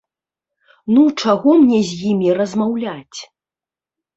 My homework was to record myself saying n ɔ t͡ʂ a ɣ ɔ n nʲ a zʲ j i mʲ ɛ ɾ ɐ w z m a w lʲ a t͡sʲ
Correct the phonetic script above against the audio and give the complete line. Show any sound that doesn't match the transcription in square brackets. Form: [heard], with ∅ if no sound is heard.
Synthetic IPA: n [u] t͡ʂ a ɣ ɔ [m] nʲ [ɛ] zʲ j i mʲ [i] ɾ ɐ [∅] z m a w lʲ a t͡sʲ